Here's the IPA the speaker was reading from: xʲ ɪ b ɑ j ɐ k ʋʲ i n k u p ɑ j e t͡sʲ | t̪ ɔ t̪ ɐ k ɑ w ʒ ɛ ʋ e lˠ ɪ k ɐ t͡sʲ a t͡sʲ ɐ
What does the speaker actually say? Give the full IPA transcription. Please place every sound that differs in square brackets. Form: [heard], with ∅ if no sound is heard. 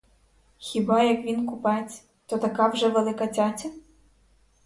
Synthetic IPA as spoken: xʲ [i] b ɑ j ɐ k ʋʲ i n k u p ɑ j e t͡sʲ | t̪ ɔ t̪ ɐ k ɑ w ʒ ɛ ʋ e lˠ ɪ k ɐ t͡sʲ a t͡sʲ ɐ